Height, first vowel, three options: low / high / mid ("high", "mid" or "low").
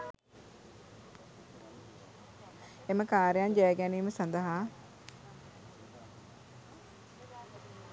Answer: mid